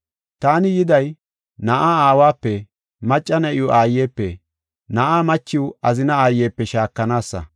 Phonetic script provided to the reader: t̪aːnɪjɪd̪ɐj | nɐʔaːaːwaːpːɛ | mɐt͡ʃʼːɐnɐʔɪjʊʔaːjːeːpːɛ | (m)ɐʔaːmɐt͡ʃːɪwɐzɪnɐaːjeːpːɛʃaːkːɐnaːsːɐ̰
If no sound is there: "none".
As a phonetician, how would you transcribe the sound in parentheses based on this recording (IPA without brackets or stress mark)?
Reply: n